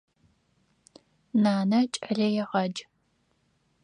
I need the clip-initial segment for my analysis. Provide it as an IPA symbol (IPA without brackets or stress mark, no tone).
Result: n